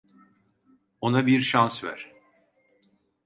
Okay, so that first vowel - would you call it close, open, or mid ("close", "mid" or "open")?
mid